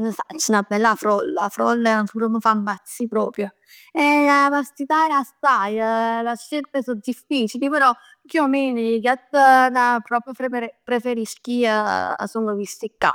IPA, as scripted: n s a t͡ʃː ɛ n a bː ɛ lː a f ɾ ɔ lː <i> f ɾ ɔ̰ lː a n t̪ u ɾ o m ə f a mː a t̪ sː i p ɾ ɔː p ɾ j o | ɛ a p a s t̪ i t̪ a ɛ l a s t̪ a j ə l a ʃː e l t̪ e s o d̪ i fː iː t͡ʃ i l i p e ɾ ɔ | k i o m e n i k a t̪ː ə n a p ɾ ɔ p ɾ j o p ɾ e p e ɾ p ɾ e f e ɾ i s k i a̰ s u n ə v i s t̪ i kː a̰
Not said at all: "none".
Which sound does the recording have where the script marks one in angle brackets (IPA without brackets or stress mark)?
a